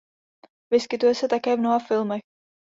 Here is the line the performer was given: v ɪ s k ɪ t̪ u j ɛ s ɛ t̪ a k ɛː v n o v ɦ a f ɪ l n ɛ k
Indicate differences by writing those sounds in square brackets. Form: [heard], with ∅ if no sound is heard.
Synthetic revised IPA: v ɪ s k ɪ t̪ u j ɛ s ɛ t̪ a k ɛː v n o [∅] ɦ a f ɪ l [m] ɛ [x]